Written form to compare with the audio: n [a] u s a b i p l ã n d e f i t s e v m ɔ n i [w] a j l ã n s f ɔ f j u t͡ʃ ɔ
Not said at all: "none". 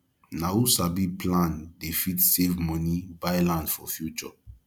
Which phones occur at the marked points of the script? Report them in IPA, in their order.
a, b

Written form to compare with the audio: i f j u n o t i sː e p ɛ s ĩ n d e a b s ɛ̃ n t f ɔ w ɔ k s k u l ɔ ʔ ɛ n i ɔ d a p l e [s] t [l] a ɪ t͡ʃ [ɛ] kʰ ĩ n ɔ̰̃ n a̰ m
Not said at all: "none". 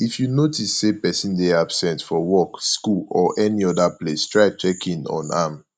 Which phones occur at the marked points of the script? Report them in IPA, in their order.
s, ɹ, ɛ

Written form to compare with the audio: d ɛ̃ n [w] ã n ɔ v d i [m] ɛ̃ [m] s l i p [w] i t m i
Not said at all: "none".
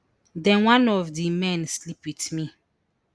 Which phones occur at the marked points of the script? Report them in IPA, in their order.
w, m, n, w

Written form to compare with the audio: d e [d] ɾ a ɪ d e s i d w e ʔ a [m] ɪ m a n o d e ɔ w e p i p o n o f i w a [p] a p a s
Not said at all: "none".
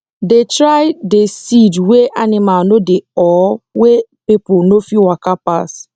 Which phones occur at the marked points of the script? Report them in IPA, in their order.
t, n, k

